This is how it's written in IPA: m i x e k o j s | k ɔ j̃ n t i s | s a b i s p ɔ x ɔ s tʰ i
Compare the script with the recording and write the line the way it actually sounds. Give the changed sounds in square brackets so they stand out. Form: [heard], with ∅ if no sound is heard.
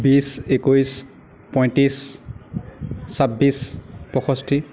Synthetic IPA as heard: [b] i [s] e k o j s | [p] ɔ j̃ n t i s | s a b i s p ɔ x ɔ s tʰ i